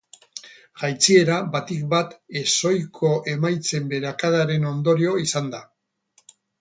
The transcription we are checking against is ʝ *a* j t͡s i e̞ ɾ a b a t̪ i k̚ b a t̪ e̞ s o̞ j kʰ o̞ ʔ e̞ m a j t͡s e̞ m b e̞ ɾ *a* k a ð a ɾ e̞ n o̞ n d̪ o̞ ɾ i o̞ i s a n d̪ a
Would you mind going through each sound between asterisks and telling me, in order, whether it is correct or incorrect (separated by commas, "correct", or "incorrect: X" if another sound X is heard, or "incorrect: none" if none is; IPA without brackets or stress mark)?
correct, correct